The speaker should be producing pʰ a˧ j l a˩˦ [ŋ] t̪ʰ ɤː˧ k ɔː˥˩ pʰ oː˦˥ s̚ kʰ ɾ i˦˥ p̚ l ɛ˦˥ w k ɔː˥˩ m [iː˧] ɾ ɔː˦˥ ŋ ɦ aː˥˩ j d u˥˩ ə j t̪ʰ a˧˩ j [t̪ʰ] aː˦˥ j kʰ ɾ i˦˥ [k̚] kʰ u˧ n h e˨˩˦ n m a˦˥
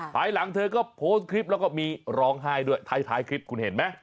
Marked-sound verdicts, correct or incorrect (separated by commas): correct, correct, correct, incorrect